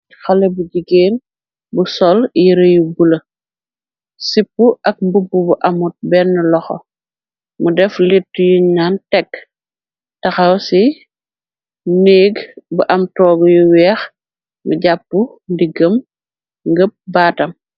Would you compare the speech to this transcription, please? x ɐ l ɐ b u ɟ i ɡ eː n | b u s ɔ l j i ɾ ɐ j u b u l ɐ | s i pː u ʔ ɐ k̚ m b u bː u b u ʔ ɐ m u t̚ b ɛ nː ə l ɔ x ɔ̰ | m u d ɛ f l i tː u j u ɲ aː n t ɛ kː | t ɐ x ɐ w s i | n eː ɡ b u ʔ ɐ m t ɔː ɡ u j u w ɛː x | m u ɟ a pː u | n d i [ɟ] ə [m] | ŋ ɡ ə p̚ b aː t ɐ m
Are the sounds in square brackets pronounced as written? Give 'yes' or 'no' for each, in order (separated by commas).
no, yes